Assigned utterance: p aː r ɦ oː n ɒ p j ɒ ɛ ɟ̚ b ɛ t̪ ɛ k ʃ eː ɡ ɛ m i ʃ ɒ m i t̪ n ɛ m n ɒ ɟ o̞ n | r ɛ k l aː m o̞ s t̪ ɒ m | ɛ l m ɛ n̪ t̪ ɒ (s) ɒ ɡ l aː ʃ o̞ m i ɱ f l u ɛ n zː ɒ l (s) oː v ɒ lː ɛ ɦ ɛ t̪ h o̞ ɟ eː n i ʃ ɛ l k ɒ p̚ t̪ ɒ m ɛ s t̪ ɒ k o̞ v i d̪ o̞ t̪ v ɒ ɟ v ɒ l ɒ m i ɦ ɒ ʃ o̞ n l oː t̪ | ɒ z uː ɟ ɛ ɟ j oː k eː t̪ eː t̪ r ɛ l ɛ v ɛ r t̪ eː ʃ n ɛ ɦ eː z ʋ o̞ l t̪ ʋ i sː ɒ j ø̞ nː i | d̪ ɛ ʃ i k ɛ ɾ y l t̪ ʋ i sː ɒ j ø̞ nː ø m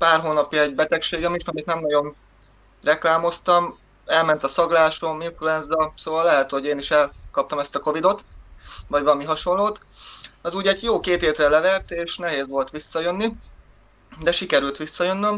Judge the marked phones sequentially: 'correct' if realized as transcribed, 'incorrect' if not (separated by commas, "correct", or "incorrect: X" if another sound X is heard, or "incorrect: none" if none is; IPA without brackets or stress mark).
correct, correct